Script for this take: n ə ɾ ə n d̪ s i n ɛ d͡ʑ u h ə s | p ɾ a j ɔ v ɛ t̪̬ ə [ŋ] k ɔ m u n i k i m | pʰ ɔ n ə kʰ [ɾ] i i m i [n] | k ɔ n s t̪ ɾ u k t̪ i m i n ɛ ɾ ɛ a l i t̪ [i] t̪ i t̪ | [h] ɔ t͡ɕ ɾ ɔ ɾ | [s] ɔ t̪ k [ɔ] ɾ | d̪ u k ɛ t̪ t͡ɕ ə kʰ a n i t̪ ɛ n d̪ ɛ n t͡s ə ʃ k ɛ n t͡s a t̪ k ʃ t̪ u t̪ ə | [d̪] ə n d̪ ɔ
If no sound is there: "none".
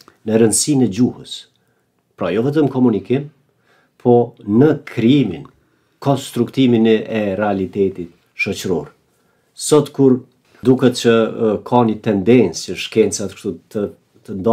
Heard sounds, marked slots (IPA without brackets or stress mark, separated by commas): m, ɾ, n, ɛ, ʃ, s, u, t̪